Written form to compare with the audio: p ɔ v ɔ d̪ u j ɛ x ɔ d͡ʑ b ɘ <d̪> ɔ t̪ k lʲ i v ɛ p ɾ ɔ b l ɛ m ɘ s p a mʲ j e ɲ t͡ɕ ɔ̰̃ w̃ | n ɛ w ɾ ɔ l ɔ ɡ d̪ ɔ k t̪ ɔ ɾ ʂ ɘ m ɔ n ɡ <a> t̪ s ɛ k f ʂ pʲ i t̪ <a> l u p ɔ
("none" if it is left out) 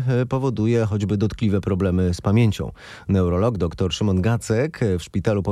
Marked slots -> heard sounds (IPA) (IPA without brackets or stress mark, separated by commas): d̪, a, a